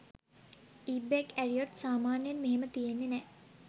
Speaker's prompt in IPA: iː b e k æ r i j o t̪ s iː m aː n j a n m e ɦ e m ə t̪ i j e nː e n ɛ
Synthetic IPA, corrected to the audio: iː b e k æ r i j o t̪ s aː m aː n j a n m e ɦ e m ə t̪ i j e nː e n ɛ